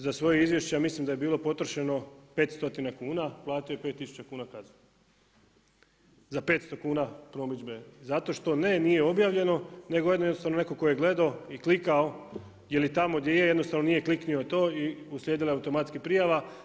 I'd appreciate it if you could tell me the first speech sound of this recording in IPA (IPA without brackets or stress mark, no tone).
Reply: z